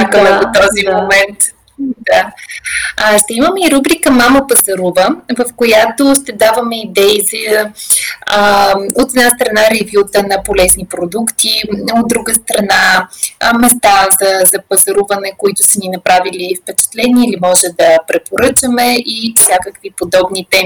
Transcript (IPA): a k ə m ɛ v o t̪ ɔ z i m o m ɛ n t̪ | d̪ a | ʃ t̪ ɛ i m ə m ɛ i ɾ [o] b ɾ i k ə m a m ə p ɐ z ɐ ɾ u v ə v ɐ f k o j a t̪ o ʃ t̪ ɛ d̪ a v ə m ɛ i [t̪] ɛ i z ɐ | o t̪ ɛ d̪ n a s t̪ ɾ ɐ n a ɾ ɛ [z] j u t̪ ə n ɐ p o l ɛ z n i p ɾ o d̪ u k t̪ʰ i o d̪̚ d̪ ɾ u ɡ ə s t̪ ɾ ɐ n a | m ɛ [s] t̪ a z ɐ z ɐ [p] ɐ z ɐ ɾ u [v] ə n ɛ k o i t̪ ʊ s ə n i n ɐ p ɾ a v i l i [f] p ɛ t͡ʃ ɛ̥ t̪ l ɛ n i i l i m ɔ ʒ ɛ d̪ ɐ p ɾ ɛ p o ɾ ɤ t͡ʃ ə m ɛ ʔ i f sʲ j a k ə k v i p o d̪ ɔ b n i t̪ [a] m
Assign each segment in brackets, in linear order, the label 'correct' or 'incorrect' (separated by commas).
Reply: incorrect, incorrect, incorrect, correct, correct, correct, correct, incorrect